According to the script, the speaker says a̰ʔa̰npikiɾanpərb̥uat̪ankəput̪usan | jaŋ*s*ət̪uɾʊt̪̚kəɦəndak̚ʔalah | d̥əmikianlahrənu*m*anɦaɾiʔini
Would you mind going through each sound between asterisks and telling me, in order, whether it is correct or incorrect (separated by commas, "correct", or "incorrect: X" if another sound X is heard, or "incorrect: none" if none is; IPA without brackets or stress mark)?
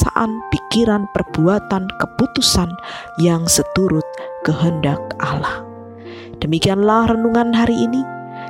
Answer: correct, incorrect: ŋ